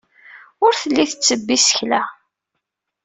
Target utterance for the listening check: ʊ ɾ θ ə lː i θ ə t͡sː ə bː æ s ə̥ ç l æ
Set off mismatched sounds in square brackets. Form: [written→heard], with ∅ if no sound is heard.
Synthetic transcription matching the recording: ʊ ɾ θ ə lː i θ ə t͡sː ə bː [æ→i] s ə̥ ç l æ